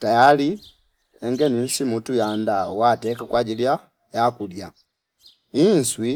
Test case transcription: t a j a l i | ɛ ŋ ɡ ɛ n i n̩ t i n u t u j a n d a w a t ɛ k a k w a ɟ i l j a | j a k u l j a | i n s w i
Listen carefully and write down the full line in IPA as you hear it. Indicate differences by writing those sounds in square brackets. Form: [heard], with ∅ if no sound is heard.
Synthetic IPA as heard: t a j a l i | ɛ ŋ ɡ ɛ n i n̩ [s] i [m] u t u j a n d a w a t ɛ k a k w a ɟ i l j a | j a k u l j a | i n s w i